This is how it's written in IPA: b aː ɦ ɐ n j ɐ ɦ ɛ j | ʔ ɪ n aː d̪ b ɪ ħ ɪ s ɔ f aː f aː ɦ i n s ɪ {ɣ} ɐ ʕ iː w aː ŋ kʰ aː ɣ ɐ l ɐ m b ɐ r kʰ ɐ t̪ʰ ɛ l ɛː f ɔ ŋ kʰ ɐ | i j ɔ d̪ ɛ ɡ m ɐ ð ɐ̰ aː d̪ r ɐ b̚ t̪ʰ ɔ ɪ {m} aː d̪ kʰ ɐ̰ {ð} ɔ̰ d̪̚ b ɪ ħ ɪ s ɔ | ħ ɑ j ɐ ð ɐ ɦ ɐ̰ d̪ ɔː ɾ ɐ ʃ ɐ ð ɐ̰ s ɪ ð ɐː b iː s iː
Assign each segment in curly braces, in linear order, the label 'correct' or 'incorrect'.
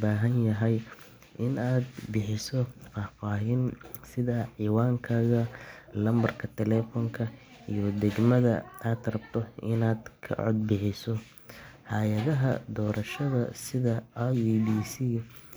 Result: incorrect: ð, incorrect: n, incorrect: ʕ

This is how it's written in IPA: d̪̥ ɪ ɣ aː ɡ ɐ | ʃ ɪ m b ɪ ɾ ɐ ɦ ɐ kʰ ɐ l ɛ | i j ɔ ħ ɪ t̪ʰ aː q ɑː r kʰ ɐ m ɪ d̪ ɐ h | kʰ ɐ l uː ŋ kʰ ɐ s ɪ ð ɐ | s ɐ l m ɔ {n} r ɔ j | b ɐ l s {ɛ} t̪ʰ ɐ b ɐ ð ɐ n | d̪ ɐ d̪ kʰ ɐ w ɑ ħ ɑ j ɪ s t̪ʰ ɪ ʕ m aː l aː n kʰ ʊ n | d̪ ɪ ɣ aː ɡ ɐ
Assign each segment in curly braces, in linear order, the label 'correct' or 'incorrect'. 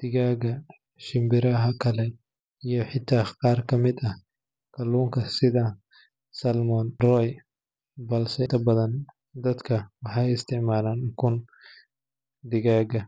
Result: correct, correct

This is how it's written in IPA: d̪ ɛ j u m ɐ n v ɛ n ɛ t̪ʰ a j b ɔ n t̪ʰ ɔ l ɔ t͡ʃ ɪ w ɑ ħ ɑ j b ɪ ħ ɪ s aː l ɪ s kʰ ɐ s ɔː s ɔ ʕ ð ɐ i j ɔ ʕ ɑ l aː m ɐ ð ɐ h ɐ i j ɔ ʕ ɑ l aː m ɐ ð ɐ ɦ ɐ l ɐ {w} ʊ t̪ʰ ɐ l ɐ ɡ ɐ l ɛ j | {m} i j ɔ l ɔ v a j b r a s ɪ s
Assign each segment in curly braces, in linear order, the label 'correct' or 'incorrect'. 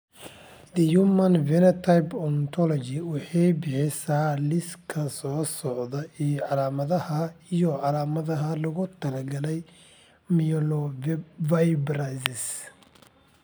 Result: incorrect: ɣ, correct

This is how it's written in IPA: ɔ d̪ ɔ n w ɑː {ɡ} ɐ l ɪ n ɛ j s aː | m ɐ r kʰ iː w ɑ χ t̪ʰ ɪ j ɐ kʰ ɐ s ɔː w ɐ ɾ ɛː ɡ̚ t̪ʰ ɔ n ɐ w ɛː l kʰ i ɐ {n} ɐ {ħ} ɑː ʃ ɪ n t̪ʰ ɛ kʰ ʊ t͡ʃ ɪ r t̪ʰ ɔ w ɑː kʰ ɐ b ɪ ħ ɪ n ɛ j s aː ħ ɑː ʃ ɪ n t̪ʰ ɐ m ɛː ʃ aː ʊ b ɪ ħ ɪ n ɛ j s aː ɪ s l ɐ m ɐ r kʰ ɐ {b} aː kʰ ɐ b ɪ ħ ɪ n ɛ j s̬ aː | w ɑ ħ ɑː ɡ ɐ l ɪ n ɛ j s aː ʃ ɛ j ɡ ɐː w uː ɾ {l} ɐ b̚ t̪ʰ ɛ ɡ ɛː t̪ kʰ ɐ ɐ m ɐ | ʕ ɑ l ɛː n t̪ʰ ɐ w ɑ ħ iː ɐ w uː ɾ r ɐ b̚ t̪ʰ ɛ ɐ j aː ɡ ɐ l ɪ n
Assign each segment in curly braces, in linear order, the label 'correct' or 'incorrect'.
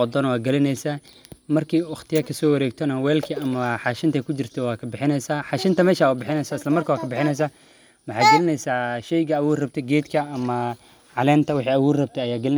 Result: correct, incorrect: m, correct, incorrect: w, incorrect: r

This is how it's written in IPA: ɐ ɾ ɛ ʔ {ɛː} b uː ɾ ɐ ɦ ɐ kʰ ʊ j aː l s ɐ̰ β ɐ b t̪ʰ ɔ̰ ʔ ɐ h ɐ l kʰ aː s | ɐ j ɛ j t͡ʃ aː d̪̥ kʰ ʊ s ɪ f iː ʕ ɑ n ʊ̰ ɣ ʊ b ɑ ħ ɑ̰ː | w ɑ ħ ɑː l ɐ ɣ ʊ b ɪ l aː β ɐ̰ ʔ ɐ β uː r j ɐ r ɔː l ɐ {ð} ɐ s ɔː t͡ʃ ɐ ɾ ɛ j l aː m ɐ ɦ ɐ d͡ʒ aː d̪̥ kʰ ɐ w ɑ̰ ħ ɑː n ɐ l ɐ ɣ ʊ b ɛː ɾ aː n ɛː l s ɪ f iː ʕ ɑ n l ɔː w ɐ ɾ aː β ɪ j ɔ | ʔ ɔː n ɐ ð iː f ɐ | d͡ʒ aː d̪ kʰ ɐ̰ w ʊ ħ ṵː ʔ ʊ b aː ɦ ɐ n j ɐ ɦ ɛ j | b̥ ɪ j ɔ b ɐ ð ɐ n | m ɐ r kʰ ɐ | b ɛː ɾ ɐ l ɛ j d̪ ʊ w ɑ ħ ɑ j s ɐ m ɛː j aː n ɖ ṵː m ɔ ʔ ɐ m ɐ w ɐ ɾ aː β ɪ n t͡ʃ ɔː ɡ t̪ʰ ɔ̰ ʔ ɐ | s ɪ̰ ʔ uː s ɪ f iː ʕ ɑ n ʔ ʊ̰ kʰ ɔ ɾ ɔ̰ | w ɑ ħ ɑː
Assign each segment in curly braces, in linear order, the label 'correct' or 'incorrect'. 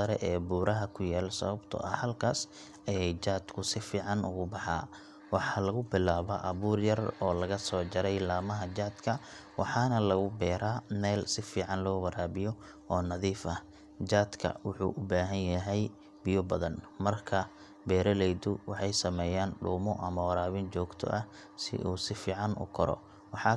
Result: correct, incorrect: ɣ

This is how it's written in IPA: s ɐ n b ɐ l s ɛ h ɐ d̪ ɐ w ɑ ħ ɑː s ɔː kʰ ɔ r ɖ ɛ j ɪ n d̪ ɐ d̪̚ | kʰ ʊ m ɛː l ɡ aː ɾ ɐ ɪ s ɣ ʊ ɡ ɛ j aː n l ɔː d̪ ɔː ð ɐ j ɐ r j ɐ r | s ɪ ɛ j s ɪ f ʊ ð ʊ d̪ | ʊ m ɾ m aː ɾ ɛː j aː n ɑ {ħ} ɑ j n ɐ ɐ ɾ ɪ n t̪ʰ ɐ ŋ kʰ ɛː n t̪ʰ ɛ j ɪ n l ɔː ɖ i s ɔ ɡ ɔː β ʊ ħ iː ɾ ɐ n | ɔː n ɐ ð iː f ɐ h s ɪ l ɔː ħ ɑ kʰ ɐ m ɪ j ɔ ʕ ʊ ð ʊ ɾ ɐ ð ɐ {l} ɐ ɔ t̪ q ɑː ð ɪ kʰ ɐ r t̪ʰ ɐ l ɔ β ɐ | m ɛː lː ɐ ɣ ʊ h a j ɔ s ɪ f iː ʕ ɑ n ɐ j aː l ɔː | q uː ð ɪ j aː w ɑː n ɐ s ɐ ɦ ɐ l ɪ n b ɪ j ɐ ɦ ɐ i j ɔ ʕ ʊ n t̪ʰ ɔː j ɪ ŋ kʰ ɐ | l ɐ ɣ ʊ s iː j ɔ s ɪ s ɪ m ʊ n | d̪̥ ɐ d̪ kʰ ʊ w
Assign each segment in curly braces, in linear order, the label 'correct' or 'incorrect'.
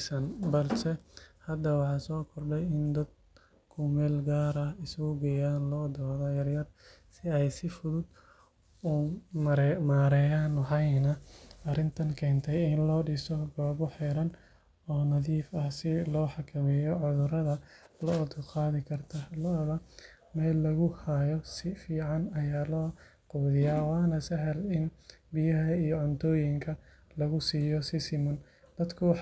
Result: correct, correct

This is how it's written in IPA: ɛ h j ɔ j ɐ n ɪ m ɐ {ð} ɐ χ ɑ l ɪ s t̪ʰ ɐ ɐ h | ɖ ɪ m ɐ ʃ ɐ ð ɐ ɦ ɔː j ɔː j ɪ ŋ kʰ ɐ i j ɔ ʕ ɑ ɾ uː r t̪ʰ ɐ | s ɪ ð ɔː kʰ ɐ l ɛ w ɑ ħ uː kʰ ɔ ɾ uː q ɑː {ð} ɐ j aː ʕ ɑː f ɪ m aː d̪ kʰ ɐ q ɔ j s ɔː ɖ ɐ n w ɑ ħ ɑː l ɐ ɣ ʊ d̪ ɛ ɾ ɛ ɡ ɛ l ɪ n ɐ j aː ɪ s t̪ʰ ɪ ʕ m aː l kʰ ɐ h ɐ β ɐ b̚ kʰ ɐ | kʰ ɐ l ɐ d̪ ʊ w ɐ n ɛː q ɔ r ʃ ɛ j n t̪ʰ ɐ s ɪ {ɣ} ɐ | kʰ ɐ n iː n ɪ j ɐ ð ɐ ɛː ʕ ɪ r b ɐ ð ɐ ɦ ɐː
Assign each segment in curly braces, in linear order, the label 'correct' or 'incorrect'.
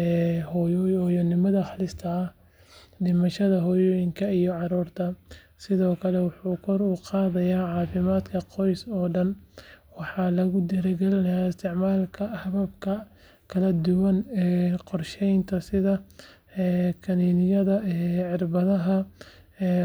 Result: correct, correct, incorrect: ð

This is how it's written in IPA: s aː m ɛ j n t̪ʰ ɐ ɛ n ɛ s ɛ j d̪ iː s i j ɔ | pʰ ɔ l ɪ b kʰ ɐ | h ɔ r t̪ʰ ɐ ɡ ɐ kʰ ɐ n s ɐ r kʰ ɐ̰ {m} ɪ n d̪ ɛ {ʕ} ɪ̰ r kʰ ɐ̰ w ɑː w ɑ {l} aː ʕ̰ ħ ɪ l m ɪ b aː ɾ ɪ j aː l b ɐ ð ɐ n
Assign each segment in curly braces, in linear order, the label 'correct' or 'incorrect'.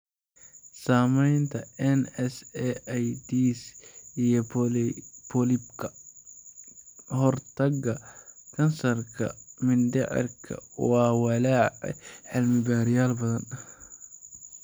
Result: correct, correct, correct

